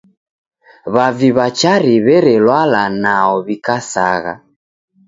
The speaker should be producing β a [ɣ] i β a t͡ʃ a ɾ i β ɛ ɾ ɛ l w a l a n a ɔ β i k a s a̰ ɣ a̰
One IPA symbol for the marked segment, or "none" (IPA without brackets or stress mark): v